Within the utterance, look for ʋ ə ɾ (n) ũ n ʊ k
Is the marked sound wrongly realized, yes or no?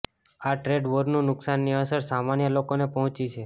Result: no